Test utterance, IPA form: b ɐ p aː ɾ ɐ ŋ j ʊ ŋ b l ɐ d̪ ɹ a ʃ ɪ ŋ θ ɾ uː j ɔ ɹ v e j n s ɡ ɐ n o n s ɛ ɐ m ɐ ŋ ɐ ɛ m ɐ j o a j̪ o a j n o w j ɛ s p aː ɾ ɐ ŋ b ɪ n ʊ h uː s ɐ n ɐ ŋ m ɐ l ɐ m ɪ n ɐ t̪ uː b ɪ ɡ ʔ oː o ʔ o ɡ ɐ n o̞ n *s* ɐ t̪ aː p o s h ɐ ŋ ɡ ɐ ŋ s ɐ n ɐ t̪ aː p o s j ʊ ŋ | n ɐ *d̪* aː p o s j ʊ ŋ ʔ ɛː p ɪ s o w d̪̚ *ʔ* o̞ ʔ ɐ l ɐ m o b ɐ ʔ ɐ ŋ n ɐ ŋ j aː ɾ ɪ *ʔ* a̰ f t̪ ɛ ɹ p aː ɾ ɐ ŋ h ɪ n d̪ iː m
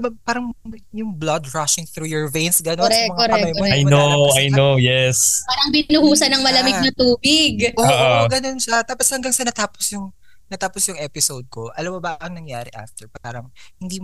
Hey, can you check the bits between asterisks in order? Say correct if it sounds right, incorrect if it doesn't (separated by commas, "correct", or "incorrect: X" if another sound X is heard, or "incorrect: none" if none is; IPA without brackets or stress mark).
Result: incorrect: ʃ, incorrect: t̪, incorrect: k, correct